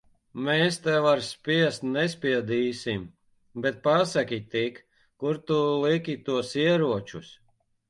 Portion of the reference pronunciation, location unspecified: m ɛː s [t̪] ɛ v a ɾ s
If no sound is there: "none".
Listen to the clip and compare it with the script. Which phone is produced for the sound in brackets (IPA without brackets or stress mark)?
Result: t̪